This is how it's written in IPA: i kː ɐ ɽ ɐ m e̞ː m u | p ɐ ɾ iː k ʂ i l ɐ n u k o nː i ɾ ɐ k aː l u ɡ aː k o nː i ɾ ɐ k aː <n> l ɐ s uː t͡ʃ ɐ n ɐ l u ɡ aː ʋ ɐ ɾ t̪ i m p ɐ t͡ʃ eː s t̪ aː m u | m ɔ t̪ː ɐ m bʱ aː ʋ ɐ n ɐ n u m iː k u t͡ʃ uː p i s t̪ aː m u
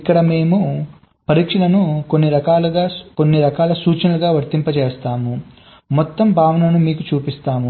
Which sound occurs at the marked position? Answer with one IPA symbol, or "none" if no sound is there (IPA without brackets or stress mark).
none